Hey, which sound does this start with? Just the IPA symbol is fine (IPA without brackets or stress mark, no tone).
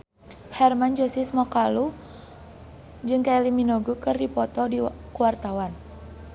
h